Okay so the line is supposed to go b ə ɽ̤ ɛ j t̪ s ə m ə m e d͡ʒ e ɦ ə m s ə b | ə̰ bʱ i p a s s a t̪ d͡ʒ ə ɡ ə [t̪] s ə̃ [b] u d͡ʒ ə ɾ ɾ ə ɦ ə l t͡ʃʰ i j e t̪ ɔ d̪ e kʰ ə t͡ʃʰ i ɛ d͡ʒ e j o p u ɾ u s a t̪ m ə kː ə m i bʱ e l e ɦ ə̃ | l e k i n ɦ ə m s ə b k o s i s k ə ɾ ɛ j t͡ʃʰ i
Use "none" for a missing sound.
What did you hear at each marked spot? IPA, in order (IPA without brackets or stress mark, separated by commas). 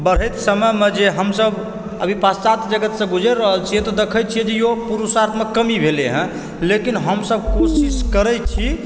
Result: t̪, ɡ